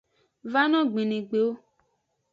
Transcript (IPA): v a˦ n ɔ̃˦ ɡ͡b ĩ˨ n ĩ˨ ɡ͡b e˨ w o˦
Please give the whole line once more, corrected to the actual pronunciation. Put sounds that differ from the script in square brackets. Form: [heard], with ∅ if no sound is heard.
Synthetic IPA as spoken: v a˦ n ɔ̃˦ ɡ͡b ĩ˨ n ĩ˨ ɡ͡b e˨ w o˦